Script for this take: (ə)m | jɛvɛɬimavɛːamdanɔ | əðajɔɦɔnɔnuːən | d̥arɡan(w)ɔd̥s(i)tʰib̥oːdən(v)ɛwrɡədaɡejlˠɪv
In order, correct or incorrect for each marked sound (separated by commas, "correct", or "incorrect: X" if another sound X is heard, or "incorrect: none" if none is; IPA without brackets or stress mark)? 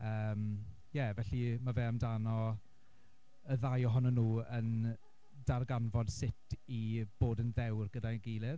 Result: incorrect: əː, incorrect: v, incorrect: ɪ, incorrect: ð